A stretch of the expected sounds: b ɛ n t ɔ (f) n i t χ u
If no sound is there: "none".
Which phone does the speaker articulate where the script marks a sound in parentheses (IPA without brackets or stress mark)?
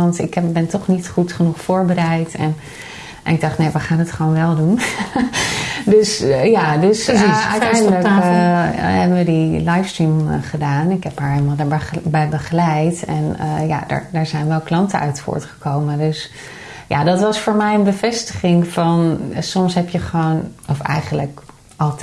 χ